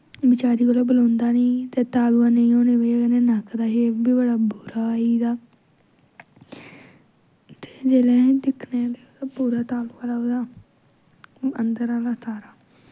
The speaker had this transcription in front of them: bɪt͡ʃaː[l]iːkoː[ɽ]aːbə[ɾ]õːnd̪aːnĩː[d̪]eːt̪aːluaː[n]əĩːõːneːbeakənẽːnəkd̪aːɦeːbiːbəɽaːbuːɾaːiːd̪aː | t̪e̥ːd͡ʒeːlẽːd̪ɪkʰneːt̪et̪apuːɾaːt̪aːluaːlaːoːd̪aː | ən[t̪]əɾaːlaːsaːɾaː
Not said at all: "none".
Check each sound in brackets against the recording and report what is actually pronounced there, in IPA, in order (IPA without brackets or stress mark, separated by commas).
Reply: ɾ, l, l, t̪, n, d̪